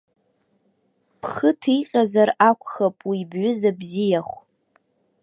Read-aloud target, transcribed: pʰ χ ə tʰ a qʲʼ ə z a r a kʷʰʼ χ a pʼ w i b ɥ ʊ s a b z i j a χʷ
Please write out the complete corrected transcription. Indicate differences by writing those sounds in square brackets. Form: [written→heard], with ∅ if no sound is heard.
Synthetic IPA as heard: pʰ χ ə tʰ [a→i] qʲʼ [ə→a] z a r a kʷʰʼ χ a pʼ w i b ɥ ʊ [s→z] a b z i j a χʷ